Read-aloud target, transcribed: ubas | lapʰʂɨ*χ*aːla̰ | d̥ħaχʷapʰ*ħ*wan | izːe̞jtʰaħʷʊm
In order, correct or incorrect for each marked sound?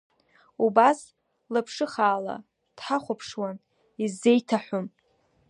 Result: correct, incorrect: ʂ

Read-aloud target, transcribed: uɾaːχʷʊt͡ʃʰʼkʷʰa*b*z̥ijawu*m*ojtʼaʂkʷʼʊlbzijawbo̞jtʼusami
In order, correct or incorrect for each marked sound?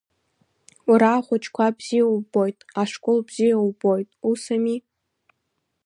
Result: correct, incorrect: b

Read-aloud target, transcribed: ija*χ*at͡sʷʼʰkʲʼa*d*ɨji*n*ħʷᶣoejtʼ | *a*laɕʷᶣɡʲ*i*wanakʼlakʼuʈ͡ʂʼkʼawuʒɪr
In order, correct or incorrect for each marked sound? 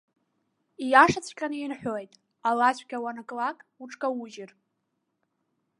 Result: incorrect: ʂ, incorrect: n, correct, correct, incorrect: a

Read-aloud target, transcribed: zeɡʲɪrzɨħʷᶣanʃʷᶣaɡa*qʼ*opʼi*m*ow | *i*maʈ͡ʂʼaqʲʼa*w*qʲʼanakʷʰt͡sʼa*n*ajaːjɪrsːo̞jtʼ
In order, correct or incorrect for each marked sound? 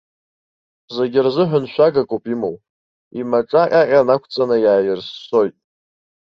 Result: incorrect: kʼ, correct, correct, incorrect: none, correct

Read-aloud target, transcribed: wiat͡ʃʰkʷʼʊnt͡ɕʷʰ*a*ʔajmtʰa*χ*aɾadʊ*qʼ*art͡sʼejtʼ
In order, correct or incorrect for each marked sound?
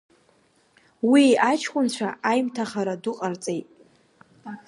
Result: correct, correct, correct

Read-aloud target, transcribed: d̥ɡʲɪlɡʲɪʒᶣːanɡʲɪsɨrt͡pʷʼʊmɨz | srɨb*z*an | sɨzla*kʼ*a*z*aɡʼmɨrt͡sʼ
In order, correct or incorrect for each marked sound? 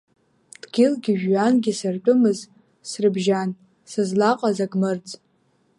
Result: incorrect: ʒ, incorrect: qʼ, correct

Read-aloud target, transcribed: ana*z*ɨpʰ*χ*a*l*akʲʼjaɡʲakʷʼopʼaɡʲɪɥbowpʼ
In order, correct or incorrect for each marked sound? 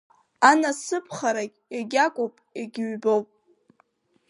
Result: incorrect: s, correct, incorrect: ɾ

